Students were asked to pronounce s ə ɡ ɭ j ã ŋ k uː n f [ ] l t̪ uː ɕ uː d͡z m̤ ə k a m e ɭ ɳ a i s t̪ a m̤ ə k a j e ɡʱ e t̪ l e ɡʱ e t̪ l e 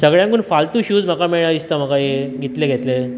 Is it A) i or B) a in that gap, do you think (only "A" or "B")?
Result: B